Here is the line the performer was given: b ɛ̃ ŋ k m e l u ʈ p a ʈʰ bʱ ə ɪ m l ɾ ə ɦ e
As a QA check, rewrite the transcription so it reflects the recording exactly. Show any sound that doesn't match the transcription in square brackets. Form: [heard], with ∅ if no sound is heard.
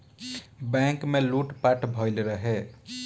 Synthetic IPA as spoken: b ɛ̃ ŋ k m e l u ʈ p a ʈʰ bʱ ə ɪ [∅] l ɾ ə ɦ e